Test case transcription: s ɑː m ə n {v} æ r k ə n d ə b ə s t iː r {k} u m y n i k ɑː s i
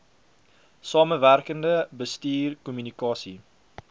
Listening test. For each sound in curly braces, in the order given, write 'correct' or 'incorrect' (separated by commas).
correct, correct